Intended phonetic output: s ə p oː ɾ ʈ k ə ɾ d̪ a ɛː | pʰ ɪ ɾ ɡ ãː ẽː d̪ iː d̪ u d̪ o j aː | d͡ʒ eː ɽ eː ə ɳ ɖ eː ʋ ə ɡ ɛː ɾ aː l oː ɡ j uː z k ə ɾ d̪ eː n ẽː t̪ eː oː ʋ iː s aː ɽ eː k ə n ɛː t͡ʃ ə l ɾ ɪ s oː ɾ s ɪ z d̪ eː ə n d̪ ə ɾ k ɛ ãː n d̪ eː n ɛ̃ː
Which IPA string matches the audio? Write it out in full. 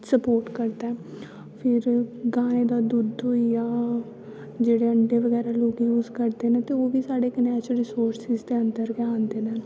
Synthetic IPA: s ə p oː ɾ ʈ k ə ɾ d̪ a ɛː | pʰ ɪ ɾ ɡ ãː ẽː d̪ aː d̪ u d̪ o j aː | d͡ʒ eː ɽ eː ə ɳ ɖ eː ʋ ə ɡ ɛː ɾ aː l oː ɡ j uː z k ə ɾ d̪ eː n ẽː t̪ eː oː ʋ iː s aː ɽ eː k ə n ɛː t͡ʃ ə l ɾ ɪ s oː ɾ s ɪ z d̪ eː ə n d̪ ə ɾ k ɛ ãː n d̪ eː n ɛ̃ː